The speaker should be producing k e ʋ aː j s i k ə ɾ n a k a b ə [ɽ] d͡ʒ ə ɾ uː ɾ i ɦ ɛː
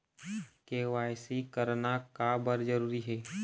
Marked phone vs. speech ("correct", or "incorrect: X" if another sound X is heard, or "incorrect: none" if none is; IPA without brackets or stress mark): incorrect: ɾ